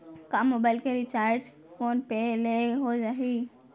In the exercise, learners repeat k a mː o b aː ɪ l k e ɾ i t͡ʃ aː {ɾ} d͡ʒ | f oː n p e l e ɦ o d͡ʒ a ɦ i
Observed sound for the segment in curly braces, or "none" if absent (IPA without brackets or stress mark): ɾ